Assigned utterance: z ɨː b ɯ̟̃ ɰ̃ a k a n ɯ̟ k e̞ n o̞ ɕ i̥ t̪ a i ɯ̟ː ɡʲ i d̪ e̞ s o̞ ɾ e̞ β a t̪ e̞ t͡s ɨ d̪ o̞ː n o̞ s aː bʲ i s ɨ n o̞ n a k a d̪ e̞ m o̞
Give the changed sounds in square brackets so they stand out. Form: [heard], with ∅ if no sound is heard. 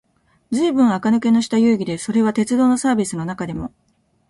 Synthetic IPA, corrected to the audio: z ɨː b ɯ̟̃ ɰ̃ a k a n ɯ̟ k e̞ n o̞ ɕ i̥ t̪ a [j] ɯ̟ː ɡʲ i d̪ e̞ s o̞ ɾ e̞ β a t̪ e̞ t͡s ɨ d̪ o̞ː n o̞ s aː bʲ i s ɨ n o̞ n a k a d̪ e̞ m o̞